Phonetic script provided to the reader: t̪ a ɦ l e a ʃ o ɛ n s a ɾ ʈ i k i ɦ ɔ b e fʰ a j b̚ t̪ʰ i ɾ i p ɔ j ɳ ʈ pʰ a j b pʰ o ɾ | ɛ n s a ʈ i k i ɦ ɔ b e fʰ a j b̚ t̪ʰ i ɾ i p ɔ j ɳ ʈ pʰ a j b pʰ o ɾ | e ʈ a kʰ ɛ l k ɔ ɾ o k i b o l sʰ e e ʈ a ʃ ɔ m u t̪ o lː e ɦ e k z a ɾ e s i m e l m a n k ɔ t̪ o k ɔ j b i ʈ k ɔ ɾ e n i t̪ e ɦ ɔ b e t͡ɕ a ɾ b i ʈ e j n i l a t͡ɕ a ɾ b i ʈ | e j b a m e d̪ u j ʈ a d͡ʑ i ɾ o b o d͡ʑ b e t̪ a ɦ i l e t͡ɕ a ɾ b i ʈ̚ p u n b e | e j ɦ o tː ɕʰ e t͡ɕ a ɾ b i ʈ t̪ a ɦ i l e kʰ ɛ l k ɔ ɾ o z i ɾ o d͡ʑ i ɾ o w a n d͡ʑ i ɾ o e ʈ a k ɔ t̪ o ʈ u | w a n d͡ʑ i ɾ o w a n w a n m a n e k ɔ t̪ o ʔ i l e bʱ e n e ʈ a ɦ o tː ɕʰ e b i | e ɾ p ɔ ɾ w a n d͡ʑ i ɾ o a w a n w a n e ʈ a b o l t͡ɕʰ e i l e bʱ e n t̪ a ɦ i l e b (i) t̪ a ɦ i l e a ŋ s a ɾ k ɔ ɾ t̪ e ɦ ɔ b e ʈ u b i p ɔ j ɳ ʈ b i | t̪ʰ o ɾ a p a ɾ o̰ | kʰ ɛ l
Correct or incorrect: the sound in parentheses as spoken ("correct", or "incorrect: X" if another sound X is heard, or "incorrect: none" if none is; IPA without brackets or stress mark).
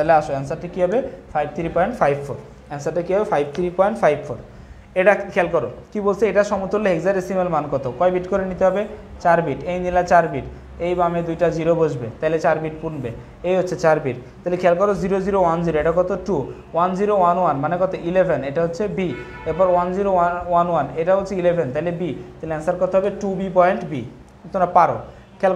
correct